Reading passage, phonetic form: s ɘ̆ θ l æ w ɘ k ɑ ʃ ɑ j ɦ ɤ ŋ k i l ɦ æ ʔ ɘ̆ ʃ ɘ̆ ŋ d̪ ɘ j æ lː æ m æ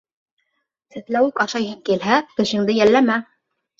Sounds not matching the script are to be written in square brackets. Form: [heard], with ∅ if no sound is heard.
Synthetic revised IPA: s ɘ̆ θ l æ w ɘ k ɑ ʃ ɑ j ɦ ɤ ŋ k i l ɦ æ [k] ɘ̆ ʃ ɘ̆ ŋ d̪ ɘ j æ lː æ m æ